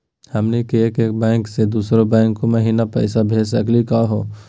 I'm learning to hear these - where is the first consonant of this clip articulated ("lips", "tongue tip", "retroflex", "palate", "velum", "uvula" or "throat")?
throat